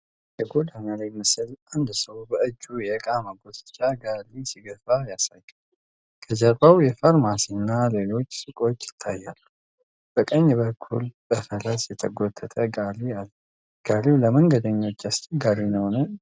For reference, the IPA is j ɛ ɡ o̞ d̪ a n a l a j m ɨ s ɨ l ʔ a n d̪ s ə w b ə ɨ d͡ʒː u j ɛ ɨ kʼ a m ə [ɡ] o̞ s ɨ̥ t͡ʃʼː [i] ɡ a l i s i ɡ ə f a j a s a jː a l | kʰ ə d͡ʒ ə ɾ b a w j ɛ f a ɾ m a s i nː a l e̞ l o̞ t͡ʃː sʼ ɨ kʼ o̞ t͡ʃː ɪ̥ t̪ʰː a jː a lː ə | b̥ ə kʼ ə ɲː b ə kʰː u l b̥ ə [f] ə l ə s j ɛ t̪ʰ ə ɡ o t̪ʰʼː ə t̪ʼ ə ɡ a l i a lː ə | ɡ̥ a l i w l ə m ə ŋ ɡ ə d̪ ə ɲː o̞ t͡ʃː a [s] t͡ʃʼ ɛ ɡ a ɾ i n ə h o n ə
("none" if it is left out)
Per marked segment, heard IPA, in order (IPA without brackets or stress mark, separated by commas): ɡ, a, f, s